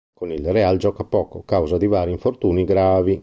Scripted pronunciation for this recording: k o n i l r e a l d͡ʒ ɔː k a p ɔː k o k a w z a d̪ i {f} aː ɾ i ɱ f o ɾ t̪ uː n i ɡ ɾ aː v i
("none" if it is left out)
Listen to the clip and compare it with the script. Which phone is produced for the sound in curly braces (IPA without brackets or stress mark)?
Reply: v